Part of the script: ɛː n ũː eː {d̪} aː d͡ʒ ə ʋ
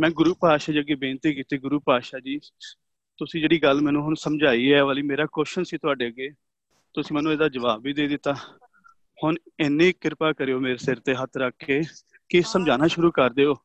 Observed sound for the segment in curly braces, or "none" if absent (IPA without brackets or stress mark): d̪